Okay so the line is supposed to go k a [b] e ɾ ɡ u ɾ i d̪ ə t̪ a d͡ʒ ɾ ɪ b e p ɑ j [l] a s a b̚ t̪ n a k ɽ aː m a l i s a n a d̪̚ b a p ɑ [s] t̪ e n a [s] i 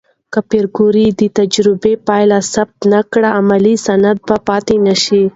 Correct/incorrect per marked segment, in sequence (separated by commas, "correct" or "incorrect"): incorrect, correct, incorrect, incorrect